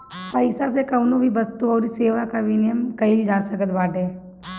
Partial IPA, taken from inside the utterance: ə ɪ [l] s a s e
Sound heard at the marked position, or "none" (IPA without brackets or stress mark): none